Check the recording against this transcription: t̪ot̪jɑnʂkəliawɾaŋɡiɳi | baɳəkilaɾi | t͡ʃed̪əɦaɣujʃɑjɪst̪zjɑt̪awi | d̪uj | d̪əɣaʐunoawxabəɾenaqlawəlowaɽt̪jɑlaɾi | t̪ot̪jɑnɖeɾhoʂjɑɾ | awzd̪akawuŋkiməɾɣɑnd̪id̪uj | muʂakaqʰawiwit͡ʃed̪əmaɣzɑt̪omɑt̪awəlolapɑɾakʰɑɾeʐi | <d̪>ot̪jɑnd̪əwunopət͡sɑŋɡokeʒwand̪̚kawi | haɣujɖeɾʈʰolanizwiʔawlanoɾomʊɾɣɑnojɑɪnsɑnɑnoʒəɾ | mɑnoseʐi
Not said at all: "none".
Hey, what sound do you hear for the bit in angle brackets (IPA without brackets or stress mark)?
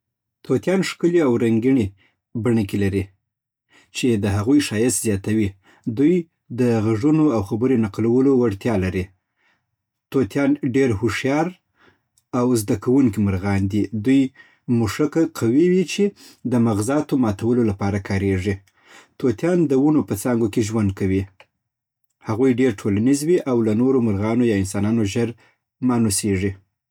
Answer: t̪